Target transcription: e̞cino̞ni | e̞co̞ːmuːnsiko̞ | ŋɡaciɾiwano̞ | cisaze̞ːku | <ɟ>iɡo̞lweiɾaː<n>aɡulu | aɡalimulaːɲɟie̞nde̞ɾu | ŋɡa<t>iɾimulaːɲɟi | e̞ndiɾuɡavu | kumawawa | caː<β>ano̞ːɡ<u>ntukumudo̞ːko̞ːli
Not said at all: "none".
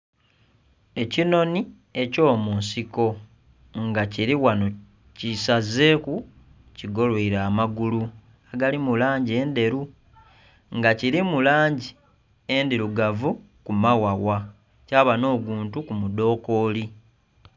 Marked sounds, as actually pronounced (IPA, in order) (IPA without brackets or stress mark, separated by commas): c, m, c, β, uː